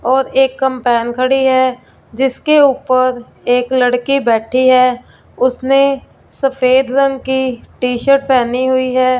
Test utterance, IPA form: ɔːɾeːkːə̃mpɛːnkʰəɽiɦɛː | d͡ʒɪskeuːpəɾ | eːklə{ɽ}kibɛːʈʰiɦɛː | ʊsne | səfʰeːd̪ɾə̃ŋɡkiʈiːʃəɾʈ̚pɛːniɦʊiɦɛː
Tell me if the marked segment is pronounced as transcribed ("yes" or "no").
yes